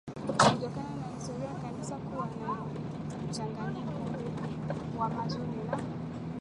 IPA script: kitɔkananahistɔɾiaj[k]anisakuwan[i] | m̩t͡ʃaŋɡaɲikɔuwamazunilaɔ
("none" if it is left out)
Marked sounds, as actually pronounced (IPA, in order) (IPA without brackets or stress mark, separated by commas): k, a